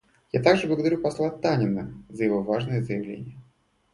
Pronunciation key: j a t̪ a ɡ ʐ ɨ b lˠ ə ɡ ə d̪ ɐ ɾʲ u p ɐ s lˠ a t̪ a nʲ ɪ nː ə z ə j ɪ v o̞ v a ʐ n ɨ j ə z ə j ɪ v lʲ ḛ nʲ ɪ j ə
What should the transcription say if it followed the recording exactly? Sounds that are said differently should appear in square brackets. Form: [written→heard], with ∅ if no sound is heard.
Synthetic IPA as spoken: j a t̪ a ɡ ʐ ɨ b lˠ ə ɡ ə d̪ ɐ ɾʲ u p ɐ s lˠ a t̪ a nʲ ɪ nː ə z ə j ɪ v o̞ v a ʐ n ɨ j ə z ə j ɪ v lʲ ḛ nʲ ɪ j ə